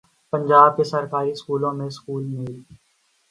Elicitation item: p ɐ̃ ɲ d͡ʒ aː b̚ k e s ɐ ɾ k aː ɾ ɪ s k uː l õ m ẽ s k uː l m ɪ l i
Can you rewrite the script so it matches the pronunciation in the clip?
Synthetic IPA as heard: p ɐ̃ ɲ d͡ʒ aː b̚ k e s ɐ ɾ k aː ɾ i s k uː l õ m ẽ s k uː l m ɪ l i